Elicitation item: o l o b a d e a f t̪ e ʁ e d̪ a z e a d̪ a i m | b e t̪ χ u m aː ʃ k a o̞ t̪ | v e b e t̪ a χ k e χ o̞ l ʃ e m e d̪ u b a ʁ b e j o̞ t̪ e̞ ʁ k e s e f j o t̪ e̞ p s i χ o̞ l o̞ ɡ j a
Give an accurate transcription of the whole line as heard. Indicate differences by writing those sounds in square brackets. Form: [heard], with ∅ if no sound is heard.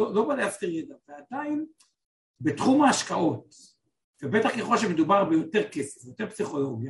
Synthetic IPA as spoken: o l o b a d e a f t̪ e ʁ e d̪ a [v] e a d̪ a i [n] | b e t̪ χ u m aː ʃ k a o̞ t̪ | v e b e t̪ a χ k e χ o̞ l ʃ e m e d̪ u b a ʁ b e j o̞ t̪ e̞ ʁ k e s e f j o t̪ e̞ p s i χ o̞ l o̞ ɡ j a